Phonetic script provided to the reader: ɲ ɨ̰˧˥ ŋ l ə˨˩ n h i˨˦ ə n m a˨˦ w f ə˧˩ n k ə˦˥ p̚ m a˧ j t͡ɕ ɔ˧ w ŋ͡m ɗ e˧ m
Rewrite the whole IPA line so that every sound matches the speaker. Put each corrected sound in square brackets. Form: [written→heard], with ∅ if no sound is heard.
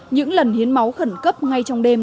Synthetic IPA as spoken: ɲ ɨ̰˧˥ ŋ l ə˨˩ n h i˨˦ ə n m a˨˦ w [f→x] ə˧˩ n k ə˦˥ p̚ [m→ŋ] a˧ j t͡ɕ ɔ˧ w ŋ͡m ɗ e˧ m